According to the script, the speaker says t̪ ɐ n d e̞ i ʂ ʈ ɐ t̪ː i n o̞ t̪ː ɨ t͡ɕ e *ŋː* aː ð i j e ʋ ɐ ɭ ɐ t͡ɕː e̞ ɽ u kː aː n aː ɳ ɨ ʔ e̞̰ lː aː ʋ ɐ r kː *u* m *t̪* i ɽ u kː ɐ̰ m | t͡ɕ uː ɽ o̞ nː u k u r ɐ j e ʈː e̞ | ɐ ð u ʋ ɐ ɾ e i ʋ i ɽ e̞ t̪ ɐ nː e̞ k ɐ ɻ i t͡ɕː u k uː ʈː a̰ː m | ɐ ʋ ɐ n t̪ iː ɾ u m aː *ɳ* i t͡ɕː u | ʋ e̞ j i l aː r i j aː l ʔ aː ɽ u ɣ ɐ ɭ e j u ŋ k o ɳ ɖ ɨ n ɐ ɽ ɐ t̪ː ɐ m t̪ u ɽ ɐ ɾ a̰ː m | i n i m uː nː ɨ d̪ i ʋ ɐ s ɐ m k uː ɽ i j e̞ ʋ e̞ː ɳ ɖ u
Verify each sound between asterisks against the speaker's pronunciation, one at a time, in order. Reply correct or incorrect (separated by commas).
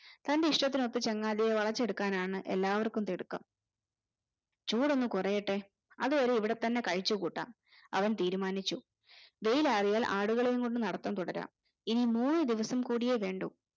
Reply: correct, correct, correct, incorrect